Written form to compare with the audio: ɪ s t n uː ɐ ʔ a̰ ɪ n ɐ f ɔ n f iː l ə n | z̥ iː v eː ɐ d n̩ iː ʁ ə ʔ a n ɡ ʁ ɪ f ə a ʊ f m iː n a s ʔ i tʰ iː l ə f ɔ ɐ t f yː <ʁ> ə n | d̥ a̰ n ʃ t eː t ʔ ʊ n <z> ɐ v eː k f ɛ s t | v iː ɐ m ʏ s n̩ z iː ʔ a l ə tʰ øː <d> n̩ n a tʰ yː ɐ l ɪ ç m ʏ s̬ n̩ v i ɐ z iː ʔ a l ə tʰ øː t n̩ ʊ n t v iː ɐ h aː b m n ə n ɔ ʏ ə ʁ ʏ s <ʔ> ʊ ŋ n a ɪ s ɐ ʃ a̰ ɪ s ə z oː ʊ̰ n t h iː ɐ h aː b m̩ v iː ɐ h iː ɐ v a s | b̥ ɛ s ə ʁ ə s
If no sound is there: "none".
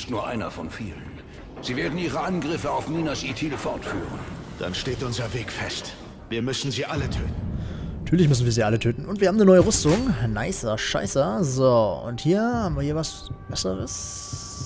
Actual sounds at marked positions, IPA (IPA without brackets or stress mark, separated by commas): ʁ, z, t, t